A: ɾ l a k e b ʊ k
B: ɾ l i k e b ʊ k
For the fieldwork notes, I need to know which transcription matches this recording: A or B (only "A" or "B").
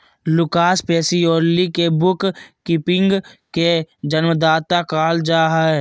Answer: B